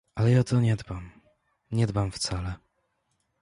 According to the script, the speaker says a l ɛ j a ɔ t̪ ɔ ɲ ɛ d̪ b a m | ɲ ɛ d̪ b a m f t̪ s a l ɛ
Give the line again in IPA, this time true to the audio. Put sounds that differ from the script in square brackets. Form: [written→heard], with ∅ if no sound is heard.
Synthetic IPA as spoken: a l ɛ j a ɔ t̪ ɔ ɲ ɛ d̪ b a m | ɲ ɛ d̪ b a m f t̪ s a l ɛ